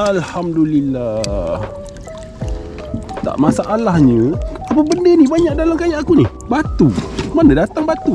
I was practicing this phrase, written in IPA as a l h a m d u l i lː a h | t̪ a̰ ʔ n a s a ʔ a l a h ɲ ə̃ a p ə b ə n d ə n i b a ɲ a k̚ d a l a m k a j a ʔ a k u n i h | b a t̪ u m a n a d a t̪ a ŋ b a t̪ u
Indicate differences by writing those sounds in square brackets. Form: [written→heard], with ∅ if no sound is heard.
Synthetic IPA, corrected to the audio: a l h a m d u l i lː a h | t̪ a̰ ʔ [n→m] a s a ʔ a l a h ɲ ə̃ a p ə b ə n d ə n i b a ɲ a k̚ d a l a m k a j a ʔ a k u n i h | b a t̪ u m a n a d a t̪ a ŋ b a t̪ u